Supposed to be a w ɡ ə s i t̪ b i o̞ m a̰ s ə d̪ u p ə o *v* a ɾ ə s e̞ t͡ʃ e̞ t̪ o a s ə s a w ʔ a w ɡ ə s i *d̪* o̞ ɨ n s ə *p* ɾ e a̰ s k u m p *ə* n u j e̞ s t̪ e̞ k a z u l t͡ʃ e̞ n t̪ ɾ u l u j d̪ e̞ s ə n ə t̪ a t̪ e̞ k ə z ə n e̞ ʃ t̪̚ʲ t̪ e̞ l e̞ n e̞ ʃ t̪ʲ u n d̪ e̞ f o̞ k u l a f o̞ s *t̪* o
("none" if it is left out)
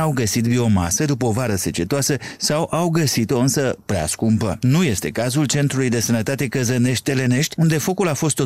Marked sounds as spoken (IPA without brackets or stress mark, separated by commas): v, t̪, p, ə, t̪